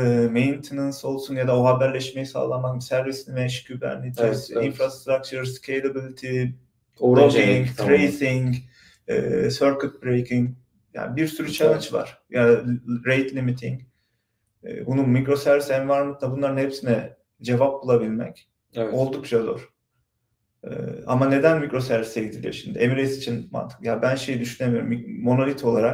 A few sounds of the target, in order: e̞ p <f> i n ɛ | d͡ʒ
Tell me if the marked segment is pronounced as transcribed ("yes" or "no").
no